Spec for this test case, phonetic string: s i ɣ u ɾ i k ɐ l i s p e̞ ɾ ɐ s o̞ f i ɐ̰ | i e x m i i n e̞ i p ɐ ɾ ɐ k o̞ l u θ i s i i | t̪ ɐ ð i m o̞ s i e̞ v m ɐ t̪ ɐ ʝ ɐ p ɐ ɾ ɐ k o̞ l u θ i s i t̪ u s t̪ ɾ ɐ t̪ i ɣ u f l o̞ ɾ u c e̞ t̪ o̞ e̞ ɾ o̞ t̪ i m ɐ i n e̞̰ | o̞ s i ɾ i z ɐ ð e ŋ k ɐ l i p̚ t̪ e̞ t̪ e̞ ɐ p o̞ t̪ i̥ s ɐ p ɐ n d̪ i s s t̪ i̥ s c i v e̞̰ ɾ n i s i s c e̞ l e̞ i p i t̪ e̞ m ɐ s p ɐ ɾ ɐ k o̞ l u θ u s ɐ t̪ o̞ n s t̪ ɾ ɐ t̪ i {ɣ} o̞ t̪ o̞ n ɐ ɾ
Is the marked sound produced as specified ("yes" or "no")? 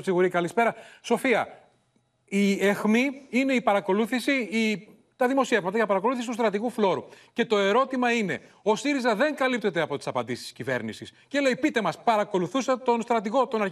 yes